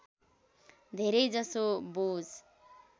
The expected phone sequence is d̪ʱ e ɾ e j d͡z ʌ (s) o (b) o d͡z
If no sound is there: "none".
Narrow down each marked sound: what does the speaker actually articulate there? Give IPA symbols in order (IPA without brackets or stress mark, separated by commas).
s, b